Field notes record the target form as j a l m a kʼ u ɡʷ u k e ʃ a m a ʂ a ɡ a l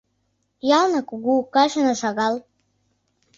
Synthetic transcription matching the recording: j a l n a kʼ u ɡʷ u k a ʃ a n a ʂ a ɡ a l